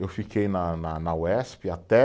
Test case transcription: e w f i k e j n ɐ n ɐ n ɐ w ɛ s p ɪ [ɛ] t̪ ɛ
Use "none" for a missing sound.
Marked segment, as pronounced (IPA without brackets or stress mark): a